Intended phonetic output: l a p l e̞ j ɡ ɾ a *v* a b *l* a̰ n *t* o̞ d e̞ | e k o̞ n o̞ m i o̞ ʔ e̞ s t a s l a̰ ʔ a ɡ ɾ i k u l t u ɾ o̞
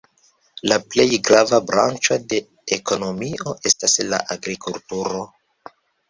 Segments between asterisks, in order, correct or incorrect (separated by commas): correct, incorrect, incorrect